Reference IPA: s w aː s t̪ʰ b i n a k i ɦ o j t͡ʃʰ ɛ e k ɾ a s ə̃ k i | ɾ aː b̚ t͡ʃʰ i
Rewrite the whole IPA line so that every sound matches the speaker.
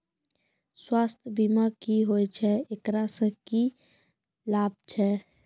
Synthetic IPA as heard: s w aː s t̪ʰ b i m a k i ɦ o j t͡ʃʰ ɛ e k ɾ a s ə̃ k i | l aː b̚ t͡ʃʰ ɛ